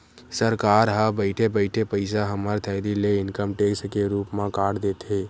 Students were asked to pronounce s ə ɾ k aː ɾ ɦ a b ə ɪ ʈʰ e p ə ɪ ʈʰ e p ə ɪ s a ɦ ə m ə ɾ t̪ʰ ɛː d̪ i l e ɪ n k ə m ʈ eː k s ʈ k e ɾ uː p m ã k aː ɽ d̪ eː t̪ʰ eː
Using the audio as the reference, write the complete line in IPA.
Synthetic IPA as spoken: s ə ɾ k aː ɾ ɦ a b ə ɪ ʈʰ e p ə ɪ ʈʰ e p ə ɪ s a ɦ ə m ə ɾ t̪ʰ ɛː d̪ i l e ɪ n k ə m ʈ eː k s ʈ k e ɾ uː p m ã k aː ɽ d̪ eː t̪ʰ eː